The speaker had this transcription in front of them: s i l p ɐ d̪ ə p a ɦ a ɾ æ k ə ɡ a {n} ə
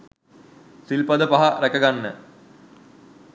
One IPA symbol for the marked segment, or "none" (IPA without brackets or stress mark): nː